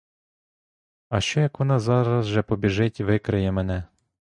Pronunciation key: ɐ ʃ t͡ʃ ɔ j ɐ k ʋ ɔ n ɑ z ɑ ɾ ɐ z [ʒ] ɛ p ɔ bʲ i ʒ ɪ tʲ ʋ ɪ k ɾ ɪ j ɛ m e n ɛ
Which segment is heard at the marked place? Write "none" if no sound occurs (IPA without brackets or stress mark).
ʒ